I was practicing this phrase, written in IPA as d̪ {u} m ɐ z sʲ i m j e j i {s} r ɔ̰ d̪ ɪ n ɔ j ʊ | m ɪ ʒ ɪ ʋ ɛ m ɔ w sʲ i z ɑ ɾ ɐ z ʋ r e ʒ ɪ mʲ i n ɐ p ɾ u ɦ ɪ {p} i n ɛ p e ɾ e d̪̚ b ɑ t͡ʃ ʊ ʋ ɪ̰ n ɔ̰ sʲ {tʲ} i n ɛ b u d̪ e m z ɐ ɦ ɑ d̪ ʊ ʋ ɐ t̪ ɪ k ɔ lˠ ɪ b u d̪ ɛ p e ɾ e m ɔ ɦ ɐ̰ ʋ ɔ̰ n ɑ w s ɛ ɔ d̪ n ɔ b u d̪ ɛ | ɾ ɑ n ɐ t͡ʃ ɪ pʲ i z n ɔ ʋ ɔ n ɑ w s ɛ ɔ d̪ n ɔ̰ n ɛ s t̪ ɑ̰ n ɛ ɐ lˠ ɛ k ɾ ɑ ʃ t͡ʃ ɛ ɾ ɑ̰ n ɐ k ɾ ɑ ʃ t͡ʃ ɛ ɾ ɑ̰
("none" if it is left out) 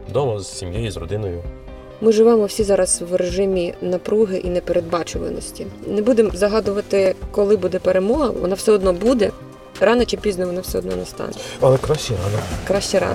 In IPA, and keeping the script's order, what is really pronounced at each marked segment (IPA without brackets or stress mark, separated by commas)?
ɔ, z, ʔ, tʲ